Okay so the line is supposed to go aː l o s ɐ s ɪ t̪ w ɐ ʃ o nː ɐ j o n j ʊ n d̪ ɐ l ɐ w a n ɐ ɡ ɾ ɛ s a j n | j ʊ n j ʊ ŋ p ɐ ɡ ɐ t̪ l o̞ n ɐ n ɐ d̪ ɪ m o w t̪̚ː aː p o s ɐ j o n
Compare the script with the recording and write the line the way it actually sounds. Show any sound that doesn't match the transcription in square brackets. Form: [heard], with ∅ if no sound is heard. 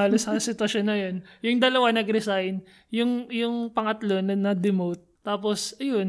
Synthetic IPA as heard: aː l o s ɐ s ɪ t̪ w ɐ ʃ o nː ɐ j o n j ʊ [ŋ] d̪ ɐ l ɐ w a n ɐ ɡ ɾ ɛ s a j n | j ʊ [ŋ] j ʊ ŋ p ɐ [ŋ] ɐ t̪ l o̞ n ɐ n ɐ d̪ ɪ m o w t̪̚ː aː p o s ɐ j o n